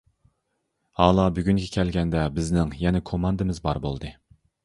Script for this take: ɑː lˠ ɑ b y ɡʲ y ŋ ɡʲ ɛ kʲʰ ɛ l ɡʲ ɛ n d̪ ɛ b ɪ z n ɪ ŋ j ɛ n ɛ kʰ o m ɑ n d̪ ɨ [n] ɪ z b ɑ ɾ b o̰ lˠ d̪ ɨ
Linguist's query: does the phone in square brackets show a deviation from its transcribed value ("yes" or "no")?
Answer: yes